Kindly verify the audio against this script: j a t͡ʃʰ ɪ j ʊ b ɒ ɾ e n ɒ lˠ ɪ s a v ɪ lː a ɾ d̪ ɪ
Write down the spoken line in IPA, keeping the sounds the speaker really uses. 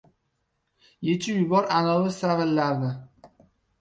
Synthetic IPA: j e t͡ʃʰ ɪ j ʊ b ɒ ɾ a n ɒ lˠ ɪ s a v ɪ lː a ɾ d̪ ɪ